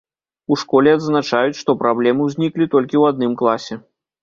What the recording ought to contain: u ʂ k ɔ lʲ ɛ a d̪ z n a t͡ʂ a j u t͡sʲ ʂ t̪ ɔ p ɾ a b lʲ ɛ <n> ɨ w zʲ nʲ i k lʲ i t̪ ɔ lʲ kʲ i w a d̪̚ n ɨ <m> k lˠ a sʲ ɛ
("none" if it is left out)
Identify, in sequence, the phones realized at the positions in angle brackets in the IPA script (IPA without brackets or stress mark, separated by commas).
m, m